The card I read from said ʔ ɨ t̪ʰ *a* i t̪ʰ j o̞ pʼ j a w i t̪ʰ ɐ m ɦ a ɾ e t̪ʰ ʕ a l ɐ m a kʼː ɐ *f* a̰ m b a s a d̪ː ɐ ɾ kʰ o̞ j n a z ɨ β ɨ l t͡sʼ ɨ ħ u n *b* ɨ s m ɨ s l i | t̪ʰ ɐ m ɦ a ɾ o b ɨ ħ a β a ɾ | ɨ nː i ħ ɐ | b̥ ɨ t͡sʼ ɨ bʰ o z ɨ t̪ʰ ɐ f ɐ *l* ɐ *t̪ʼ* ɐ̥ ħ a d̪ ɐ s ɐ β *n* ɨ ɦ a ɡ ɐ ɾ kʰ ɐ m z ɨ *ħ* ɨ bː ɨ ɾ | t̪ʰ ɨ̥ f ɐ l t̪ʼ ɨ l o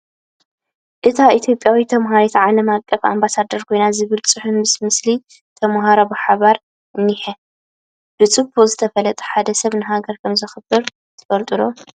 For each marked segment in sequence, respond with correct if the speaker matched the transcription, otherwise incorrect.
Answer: correct, correct, incorrect: m, correct, correct, correct, incorrect: x

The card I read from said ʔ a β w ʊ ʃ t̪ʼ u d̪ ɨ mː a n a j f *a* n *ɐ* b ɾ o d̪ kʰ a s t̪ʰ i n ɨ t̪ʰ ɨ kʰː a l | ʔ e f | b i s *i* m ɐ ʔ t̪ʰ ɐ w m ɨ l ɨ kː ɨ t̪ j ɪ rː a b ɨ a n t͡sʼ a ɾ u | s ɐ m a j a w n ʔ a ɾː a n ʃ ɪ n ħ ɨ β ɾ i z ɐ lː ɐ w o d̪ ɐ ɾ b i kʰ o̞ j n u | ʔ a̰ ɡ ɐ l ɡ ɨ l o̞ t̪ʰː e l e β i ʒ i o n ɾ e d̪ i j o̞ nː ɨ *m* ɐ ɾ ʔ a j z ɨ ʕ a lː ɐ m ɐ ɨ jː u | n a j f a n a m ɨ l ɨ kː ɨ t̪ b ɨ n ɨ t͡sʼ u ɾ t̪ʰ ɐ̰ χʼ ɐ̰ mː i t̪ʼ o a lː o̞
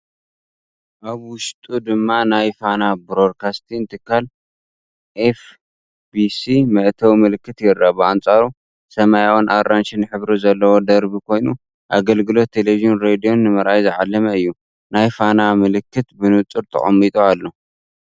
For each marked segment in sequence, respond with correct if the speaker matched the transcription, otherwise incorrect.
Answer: correct, incorrect: a, correct, correct

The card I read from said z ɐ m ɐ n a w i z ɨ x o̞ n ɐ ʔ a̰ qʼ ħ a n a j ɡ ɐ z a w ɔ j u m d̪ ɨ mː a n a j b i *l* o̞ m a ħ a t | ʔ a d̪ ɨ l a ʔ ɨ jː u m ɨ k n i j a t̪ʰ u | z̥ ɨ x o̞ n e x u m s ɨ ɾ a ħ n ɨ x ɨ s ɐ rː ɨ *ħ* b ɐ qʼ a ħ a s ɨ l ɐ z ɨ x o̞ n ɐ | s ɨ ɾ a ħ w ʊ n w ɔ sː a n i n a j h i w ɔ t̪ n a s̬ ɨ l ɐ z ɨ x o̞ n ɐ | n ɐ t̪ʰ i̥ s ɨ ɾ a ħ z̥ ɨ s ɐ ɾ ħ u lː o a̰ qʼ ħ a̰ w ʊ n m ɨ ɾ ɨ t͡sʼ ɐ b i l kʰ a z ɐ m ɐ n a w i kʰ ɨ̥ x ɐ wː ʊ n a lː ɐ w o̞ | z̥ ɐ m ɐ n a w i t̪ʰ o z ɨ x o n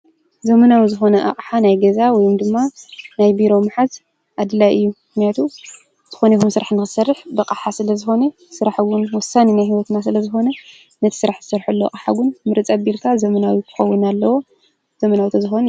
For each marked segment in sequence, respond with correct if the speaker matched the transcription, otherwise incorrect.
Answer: incorrect: ɾ, correct

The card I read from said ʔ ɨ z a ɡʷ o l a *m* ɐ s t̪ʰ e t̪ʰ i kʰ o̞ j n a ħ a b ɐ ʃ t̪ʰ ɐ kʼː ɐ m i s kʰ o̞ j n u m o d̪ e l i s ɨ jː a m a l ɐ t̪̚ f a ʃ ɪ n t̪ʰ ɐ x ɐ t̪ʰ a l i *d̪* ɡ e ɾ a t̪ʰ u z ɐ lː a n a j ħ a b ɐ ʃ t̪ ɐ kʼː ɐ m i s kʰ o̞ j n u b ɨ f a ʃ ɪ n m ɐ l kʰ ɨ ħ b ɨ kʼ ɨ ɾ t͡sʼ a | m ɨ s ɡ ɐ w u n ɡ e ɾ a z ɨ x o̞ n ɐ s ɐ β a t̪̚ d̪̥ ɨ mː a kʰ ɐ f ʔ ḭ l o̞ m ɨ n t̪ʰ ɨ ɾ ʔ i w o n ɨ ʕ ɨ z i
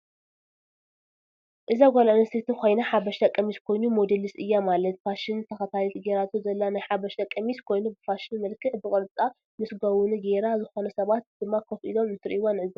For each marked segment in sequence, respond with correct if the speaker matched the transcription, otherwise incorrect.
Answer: incorrect: n, incorrect: t̪

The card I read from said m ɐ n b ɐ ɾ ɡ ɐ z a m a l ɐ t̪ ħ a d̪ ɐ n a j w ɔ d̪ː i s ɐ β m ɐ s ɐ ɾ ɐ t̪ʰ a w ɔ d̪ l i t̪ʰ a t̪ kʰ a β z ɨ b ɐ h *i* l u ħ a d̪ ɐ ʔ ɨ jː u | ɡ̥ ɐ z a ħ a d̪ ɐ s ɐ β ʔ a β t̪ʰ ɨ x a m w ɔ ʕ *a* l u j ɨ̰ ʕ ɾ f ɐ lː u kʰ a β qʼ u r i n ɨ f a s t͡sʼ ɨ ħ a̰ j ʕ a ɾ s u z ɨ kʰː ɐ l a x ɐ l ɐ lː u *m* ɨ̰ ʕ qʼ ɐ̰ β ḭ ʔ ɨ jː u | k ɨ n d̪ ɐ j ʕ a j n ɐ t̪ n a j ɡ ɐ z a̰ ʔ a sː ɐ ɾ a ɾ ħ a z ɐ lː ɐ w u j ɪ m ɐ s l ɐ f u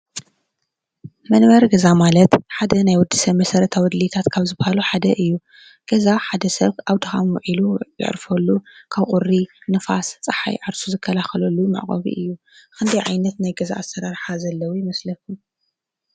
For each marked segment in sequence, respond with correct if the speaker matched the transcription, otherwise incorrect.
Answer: incorrect: a, incorrect: i, correct

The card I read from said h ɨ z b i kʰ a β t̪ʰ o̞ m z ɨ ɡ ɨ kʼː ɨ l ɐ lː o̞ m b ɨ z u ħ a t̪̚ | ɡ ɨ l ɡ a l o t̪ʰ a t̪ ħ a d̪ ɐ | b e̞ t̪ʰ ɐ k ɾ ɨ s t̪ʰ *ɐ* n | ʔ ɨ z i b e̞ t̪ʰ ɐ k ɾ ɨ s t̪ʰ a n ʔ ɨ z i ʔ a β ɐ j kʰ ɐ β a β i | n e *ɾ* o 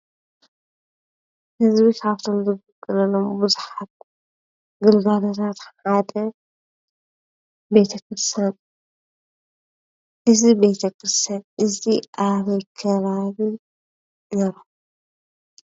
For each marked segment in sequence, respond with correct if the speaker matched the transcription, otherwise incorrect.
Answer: incorrect: a, correct

